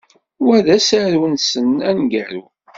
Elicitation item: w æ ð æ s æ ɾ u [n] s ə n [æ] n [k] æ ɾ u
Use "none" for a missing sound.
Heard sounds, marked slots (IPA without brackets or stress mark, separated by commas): n, æ, ɡ